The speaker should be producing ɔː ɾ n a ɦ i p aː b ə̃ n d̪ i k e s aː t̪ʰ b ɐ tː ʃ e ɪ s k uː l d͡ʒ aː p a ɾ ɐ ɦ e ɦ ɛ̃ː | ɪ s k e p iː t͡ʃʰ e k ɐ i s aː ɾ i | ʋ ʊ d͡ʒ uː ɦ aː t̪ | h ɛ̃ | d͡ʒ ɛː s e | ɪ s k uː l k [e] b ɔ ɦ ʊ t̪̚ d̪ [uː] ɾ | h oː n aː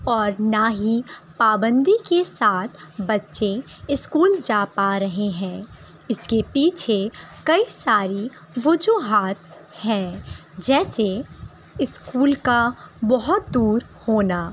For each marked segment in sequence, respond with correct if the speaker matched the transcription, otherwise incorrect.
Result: incorrect: a, correct

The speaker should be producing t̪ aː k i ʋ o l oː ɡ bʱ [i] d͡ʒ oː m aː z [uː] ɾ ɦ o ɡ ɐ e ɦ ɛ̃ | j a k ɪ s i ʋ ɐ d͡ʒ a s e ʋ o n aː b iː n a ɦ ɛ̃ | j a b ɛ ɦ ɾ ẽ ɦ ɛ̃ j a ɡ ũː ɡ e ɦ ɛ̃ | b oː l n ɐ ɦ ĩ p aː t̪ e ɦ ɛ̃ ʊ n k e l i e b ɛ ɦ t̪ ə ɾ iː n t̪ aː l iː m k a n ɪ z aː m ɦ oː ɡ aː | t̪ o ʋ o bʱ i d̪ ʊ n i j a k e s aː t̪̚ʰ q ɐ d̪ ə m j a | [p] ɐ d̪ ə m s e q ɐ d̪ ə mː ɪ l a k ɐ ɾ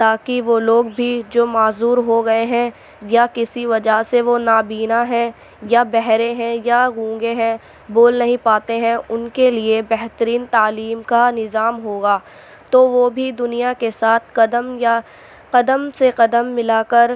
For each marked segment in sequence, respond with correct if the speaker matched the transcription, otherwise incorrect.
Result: correct, correct, incorrect: q

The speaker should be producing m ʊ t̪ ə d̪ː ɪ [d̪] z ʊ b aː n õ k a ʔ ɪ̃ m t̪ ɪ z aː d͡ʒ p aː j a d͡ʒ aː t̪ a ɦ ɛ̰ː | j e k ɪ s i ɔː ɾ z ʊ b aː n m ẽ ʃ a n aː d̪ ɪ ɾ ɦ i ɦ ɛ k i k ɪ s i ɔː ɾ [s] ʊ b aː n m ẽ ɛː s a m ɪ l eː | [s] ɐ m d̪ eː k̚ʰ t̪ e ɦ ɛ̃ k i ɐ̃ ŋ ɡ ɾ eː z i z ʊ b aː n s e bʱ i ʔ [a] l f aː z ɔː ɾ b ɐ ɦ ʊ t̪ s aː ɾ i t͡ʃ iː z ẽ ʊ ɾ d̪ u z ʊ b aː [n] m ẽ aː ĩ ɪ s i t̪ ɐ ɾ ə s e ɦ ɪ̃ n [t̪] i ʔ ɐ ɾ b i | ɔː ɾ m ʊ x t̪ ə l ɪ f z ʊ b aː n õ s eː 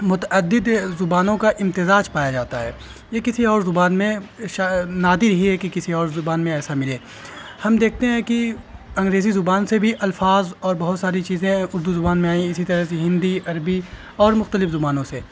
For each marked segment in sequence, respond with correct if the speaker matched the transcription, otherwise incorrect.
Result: correct, incorrect: z, incorrect: h, incorrect: ɐ, correct, incorrect: d̪

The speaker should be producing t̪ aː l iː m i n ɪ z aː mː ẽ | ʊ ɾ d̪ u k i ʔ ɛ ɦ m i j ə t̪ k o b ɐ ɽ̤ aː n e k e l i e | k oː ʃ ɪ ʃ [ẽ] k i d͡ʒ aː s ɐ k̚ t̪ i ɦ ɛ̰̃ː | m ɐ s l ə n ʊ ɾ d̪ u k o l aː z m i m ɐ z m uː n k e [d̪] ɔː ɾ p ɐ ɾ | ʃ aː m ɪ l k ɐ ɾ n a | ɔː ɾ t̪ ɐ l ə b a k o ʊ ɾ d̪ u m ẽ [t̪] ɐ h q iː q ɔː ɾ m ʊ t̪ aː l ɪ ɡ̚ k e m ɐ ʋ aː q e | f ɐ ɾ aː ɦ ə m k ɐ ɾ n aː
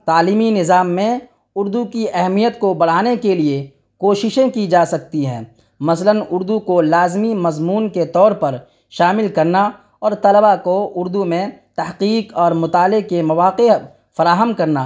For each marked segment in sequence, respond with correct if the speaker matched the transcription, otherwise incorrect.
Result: correct, incorrect: t̪, correct

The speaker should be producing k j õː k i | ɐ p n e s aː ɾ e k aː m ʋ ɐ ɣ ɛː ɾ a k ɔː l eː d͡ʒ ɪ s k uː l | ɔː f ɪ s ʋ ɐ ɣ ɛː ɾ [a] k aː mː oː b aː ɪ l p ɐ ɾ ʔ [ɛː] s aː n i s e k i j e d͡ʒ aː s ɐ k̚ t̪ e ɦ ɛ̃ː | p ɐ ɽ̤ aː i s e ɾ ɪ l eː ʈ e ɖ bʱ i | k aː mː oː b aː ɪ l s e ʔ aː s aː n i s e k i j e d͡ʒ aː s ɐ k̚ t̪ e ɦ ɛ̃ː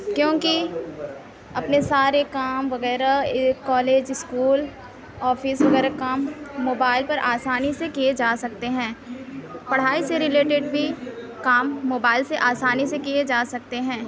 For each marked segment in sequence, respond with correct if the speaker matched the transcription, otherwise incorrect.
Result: correct, incorrect: aː

